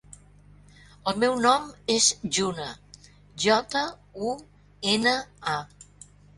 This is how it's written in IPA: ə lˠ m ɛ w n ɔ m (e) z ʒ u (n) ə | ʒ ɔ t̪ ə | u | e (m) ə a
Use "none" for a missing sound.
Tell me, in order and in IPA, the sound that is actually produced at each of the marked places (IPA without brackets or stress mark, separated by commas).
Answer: e, n, n